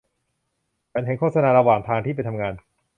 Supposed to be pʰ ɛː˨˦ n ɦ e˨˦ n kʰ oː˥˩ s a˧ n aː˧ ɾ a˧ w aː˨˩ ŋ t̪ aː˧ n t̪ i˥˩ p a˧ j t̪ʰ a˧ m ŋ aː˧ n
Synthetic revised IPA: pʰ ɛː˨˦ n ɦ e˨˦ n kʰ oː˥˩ s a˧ n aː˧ ɾ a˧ w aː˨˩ ŋ t̪ʰ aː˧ ŋ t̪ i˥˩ p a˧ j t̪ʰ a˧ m ŋ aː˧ n